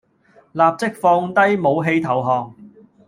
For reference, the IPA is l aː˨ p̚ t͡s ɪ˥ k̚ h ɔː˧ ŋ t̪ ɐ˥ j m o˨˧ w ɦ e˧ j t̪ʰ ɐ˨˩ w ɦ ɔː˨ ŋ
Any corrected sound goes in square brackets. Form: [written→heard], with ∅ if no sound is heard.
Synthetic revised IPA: l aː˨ p̚ t͡s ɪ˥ k̚ [h→f] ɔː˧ ŋ t̪ ɐ˥ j m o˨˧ w ɦ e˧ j t̪ʰ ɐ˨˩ w ɦ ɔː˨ ŋ